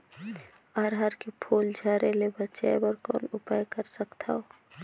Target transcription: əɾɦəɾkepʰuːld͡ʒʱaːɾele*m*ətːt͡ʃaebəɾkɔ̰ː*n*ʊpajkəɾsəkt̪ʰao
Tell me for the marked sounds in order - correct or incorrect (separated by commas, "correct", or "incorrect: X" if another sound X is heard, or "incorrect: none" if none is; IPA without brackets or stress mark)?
incorrect: b, correct